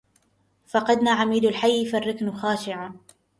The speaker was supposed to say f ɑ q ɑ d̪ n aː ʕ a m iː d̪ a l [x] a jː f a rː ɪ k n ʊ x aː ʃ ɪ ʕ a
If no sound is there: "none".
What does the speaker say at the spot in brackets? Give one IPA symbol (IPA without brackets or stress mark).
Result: ħ